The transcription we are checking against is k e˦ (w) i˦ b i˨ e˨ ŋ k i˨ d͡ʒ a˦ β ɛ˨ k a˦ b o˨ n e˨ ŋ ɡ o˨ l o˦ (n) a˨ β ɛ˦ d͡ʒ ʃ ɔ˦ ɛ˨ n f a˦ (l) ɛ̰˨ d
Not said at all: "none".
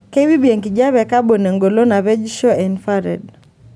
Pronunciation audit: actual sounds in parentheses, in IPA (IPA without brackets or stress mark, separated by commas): w, n, ɾ